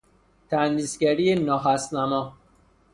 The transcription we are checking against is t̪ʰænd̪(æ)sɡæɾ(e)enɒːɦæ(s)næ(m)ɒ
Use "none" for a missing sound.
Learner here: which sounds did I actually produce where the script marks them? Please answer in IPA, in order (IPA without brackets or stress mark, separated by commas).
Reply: i, i, s, m